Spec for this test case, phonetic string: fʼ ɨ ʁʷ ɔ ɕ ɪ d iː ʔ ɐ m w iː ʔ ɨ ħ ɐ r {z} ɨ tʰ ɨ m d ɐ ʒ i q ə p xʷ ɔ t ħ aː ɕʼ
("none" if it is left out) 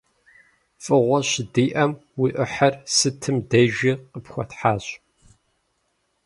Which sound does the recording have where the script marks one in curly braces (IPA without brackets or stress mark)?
s